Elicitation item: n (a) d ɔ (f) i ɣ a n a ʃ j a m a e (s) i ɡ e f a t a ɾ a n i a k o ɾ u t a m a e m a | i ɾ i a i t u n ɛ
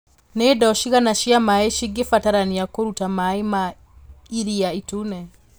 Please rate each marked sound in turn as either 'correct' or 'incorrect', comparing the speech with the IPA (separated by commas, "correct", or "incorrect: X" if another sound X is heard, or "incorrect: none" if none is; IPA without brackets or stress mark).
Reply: incorrect: e, incorrect: ʃ, incorrect: ʃ